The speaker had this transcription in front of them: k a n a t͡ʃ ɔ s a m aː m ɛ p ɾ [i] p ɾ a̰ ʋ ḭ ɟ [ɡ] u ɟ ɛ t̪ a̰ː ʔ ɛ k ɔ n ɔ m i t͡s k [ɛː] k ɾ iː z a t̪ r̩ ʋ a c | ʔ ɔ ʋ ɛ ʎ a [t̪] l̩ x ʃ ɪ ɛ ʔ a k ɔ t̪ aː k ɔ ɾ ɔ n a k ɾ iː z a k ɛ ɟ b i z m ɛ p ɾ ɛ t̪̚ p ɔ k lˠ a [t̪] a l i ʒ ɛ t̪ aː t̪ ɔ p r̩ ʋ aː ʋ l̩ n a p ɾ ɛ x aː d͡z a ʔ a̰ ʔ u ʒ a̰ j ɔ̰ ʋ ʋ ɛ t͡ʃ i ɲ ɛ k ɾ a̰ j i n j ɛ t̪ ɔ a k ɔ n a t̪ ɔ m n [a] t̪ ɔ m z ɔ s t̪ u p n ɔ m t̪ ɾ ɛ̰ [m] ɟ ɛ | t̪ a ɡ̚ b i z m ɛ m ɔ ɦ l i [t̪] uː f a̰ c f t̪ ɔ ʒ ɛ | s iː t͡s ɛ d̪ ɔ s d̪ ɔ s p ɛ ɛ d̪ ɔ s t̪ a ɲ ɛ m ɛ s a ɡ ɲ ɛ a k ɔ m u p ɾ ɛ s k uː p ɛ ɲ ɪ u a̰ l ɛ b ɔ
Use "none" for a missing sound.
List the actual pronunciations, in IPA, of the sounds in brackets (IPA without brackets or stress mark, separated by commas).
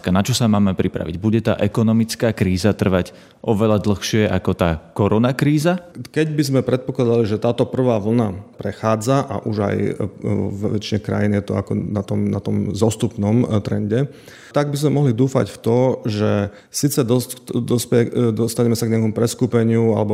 i, b, aː, d̪, d̪, a, ɲ, d̪